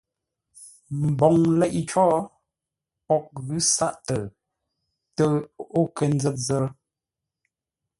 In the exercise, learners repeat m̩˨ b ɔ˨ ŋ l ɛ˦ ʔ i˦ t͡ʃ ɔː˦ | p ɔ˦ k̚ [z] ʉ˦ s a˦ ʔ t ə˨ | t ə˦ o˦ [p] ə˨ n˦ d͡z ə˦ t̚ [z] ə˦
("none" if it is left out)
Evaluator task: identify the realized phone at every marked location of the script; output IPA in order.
ɣ, k, z

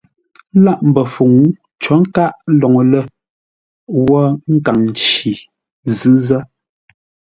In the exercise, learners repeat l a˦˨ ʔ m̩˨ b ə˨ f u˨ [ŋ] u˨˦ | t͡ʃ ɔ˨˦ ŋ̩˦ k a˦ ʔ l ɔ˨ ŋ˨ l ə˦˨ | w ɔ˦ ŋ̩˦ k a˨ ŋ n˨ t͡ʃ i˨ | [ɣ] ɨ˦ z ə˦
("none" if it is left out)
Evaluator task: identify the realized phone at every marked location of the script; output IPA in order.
ŋ, z

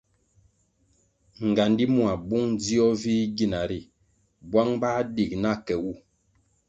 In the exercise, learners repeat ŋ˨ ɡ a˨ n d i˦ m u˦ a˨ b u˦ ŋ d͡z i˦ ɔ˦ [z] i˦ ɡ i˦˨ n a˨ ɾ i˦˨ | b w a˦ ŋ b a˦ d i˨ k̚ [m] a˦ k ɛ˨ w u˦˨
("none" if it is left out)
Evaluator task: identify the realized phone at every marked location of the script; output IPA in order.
v, n

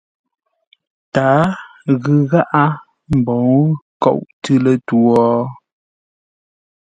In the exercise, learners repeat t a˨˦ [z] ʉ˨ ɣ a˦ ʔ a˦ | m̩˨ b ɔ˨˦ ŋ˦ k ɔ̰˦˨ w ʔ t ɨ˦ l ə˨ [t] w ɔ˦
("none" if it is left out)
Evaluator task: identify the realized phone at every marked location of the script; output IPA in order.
ɣ, t

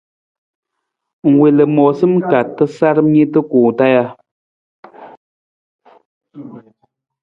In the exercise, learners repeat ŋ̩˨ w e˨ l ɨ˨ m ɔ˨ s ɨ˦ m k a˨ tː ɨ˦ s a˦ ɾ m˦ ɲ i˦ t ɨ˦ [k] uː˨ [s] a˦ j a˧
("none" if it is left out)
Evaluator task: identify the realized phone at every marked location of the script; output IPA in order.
k, t

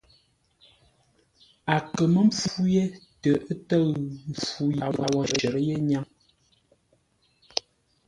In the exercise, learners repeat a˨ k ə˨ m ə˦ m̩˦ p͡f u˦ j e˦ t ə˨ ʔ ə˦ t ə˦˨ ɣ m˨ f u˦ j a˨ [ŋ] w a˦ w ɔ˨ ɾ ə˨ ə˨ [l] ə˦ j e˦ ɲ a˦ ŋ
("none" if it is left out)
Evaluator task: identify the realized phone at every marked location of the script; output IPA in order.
none, ɾ

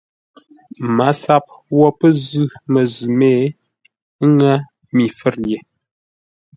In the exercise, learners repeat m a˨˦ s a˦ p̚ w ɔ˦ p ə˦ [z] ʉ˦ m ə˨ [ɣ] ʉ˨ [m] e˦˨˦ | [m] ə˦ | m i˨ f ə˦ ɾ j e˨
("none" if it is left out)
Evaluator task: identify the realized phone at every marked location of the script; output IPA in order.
z, z, m, ŋ

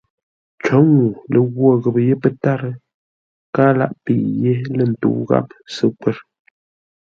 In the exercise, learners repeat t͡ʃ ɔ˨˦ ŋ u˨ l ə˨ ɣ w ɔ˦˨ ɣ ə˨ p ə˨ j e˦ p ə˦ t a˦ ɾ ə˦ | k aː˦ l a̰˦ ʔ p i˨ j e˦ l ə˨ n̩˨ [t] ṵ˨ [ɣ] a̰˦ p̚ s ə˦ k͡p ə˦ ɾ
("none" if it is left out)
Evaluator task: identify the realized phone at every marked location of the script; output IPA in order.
t, ɣ

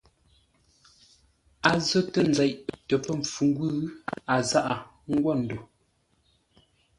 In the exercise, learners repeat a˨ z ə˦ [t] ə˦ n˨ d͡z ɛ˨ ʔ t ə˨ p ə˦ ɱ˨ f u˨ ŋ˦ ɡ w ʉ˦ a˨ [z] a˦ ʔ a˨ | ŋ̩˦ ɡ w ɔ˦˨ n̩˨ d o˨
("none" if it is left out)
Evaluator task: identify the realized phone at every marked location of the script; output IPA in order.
t, z

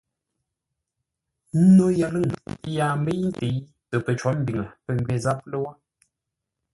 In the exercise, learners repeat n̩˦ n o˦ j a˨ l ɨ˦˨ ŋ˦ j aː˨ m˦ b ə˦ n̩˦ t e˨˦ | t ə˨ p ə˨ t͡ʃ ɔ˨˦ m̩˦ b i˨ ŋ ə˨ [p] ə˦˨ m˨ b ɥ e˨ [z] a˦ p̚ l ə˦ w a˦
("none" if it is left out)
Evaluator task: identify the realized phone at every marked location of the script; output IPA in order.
p, z

